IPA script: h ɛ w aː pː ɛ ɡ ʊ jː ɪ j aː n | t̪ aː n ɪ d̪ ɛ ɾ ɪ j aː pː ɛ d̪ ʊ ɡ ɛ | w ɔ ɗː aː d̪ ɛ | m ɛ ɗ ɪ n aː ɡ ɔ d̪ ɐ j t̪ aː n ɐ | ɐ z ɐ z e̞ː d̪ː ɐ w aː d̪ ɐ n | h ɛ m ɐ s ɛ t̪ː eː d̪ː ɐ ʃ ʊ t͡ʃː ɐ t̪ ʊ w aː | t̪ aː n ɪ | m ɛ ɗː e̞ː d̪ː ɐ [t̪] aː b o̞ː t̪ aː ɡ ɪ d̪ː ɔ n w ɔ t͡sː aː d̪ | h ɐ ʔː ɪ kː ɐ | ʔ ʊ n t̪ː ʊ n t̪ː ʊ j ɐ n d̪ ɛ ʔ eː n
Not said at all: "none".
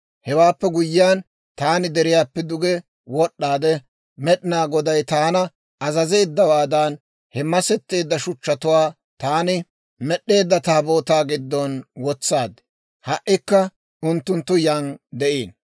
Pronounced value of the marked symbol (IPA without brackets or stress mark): t̪